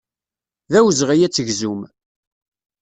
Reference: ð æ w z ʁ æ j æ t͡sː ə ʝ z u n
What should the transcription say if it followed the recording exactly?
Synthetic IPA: ð æ w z ʁ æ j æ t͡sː ə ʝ z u m